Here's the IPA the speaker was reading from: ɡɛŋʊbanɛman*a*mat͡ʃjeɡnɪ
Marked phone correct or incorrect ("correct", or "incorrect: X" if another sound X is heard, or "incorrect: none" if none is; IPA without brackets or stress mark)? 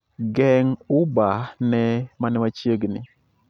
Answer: incorrect: ɛ